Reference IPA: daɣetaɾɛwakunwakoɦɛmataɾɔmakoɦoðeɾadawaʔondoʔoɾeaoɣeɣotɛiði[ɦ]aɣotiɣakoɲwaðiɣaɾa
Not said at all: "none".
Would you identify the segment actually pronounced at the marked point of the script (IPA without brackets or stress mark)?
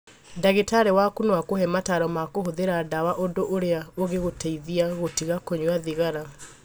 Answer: none